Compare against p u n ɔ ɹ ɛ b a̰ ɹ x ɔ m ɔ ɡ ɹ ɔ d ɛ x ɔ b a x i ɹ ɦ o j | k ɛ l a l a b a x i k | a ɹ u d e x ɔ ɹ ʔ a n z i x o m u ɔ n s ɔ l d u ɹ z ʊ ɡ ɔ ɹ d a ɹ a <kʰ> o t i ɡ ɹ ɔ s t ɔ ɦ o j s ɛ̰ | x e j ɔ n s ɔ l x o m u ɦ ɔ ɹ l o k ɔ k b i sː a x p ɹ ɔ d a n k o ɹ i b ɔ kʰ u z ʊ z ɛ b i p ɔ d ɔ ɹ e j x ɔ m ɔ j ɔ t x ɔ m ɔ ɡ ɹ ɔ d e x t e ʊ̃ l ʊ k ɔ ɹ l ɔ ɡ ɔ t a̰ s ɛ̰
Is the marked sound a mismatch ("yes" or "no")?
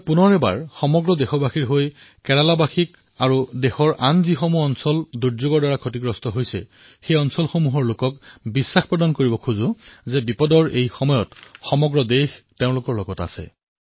no